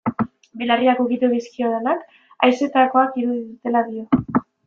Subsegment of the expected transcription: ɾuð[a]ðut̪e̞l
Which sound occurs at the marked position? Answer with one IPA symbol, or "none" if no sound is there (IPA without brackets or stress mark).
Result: i